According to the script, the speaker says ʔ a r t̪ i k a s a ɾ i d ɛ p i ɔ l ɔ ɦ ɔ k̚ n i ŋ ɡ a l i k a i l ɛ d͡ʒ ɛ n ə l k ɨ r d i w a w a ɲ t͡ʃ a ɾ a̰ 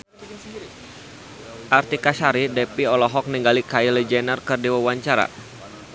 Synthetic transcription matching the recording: ʔ a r t̪ i k a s a ɾ i d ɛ p i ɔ l ɔ ɦ ɔ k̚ n i ŋ ɡ a l i k a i l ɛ d͡ʒ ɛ n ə r k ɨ r d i w a w a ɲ t͡ʃ a ɾ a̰